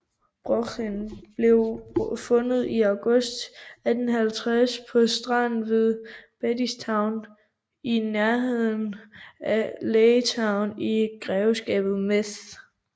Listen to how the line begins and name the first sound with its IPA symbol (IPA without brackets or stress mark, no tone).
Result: b̥